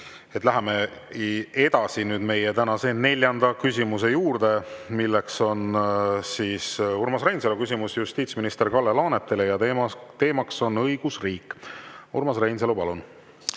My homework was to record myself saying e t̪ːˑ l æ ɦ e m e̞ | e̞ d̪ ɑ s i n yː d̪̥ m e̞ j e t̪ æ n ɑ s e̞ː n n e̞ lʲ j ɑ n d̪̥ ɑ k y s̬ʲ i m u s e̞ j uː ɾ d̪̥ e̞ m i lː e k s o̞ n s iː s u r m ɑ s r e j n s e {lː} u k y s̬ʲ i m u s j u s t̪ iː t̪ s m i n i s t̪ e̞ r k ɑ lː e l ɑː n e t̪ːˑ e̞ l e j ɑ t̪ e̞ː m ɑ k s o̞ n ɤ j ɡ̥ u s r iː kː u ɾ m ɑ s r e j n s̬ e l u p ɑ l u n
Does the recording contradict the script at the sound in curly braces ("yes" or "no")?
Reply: yes